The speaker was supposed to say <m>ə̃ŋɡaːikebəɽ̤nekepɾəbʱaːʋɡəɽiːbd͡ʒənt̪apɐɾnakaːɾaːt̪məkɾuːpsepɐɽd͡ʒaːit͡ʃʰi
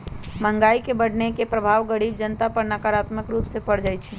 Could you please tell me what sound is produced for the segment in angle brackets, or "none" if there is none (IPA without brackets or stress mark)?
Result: m